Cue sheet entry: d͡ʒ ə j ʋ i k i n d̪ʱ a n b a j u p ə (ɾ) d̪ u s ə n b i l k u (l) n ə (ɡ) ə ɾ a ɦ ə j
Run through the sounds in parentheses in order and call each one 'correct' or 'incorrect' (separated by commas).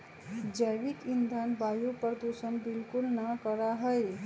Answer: correct, correct, incorrect